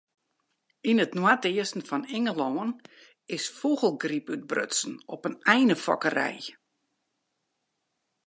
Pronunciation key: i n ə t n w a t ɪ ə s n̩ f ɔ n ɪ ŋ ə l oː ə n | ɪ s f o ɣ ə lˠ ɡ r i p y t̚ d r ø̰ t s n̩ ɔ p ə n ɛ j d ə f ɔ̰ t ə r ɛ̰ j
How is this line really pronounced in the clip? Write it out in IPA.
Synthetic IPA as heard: i n ə t n w a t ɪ ə s n̩ f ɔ n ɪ ŋ ə l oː ə n | ɪ s f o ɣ ə lˠ ɡ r i p y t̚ b r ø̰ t s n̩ ɔ p ə n ɛ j n ə f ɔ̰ k ə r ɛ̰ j